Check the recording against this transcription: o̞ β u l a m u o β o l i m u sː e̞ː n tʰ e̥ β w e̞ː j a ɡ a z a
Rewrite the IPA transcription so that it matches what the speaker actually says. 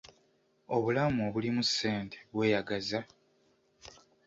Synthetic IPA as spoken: o̞ β u l a m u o β u l i m u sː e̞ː n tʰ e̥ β w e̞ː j a ɡ a z a